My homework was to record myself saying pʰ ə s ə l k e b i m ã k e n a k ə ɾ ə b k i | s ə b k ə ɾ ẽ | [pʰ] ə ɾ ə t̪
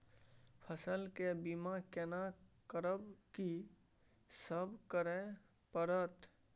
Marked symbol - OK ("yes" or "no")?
no